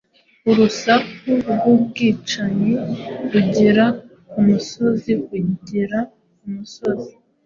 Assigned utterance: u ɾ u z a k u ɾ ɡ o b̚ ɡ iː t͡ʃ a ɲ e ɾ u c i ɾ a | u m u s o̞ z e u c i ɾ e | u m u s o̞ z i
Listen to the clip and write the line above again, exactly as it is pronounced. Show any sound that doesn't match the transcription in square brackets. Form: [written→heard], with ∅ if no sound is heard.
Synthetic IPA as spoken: u ɾ u [z→s] a k u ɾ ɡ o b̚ ɡ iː t͡ʃ a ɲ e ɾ u [c→ɟ] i ɾ a | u m u s o̞ z [e→i] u [c→ɟ] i ɾ [e→a] | u m u s o̞ z i